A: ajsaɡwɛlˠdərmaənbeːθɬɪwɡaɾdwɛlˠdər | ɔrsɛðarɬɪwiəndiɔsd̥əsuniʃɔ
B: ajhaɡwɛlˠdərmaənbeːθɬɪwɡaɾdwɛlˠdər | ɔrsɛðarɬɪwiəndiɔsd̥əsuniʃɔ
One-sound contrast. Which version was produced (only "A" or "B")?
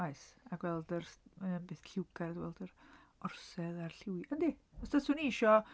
A